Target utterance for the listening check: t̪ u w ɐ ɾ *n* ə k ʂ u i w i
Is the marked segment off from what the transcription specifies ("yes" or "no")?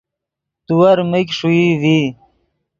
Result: yes